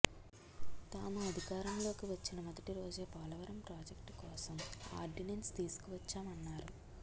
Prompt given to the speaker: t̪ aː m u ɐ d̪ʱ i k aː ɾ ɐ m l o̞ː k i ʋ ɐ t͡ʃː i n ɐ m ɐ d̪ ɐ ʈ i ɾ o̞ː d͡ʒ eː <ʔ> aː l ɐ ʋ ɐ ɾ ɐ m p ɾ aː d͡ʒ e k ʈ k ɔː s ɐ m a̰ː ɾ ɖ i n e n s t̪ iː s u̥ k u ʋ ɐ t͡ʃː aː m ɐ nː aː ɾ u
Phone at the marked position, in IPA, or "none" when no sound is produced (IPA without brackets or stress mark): p